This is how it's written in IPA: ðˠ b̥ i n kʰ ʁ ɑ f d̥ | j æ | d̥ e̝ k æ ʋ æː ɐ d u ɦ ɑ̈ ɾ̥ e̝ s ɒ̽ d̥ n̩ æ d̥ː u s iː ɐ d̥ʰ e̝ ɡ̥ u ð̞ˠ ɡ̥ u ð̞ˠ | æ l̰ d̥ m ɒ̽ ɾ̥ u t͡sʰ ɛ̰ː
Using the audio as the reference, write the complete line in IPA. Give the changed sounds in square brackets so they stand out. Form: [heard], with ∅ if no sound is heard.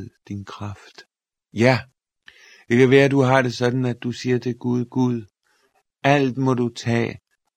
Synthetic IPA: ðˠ [d̥] i n kʰ ʁ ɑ f d̥ | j æ | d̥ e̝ k æ ʋ æː ɐ d u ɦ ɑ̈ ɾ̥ e̝ s ɒ̽ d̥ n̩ æ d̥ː u s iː ɐ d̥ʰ e̝ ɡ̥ u ð̞ˠ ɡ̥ u ð̞ˠ | æ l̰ d̥ m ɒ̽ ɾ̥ u t͡sʰ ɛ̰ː